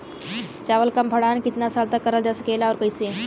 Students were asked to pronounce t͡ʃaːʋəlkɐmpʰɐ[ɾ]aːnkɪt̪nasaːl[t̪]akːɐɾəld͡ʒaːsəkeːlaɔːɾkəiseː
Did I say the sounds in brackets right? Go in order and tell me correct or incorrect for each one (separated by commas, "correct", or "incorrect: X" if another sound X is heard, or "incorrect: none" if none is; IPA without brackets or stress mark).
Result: incorrect: ɽ, correct